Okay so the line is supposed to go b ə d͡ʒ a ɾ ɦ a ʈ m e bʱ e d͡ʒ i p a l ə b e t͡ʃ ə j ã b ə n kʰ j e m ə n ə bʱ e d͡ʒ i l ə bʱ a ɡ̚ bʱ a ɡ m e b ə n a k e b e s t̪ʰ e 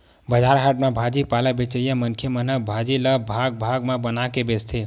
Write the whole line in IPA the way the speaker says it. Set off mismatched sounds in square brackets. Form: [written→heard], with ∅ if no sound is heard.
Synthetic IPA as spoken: b ə d͡ʒ a ɾ ɦ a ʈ m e bʱ [e→a] d͡ʒ i p a l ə b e t͡ʃ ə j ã [b→m] ə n kʰ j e m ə n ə bʱ [e→a] d͡ʒ i l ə bʱ a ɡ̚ bʱ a ɡ m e b ə n a k e b e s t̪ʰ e